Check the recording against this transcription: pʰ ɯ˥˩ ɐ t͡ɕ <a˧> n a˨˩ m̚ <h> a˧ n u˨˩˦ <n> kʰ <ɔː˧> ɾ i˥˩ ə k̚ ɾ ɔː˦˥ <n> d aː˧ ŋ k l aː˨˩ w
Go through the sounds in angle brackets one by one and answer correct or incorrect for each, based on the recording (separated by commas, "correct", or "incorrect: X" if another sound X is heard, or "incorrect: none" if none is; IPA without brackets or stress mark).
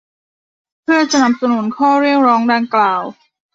correct, incorrect: s, correct, incorrect: ɔː˥˩, incorrect: ŋ